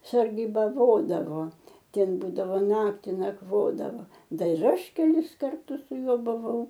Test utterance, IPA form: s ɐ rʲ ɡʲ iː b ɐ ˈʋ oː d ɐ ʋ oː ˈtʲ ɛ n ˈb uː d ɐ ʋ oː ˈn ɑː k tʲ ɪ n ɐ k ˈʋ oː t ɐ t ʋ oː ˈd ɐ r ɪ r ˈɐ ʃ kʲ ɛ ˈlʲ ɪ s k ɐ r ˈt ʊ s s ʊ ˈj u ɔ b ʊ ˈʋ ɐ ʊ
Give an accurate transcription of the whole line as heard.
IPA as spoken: s ɐ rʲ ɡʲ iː b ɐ ˈʋ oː d ɐ ʋ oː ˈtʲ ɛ n ˈb uː d ɐ ʋ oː ˈn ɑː k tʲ ɪ n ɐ k ˈʋ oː d ɐ ʋ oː ˈd ɐ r ɪ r ˈɐ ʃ kʲ ɛ ˈlʲ ɪ s k ɐ r ˈt ʊ s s ʊ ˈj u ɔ b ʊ ˈʋ ɐ ʊ